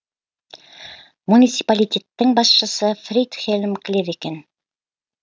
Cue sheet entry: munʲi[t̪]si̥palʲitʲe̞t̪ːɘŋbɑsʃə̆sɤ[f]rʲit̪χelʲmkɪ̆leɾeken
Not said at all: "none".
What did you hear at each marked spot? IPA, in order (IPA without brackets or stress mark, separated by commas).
t̪, f